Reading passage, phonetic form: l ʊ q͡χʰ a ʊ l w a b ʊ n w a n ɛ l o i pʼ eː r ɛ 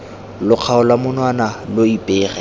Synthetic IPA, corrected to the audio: l ʊ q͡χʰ a ʊ l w a m ʊ n w a n a l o i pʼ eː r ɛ